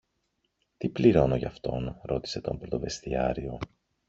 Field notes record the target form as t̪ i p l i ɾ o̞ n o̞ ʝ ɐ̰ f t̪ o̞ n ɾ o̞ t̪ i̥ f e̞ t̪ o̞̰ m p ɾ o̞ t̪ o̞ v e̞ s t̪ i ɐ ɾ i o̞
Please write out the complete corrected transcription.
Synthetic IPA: t̪ i p l i ɾ o̞ n o̞ ʝ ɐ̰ f t̪ o̞ n ɾ o̞ t̪ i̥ s e̞ t̪ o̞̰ m p ɾ o̞ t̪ o̞ v e̞ s t̪ i ɐ ɾ i o̞